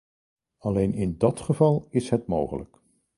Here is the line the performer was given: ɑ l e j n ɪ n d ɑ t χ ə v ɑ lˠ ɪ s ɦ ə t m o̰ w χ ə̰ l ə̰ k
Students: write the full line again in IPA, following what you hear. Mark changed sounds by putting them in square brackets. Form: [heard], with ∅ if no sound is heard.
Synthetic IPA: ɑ l e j n ɪ n d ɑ t χ ə v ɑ lˠ ɪ s ɦ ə t m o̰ w χ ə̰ l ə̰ k